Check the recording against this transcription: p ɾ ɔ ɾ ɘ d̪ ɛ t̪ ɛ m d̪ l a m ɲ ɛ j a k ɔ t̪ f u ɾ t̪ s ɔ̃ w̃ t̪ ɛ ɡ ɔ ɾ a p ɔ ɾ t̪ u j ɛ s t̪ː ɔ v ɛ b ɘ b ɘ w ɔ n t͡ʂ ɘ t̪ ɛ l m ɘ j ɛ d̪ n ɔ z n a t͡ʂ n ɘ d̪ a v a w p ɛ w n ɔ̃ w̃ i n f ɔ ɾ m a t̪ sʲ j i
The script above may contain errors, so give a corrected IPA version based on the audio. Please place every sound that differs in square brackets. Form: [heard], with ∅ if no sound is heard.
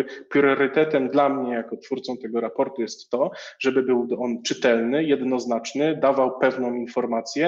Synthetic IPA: p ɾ ɔ ɾ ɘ [t̪] ɛ t̪ ɛ m d̪ l a m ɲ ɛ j a k ɔ t̪ f u ɾ t̪ s ɔ̃ w̃ t̪ ɛ ɡ ɔ ɾ a p ɔ ɾ t̪ u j ɛ s t̪ː ɔ [ʐ] ɛ b ɘ b ɘ w ɔ n t͡ʂ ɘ t̪ ɛ l [n] ɘ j ɛ d̪ n ɔ z n a t͡ʂ n ɘ d̪ a v a w p ɛ [v] n ɔ̃ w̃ i n f ɔ ɾ m a t̪ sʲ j [ɛ]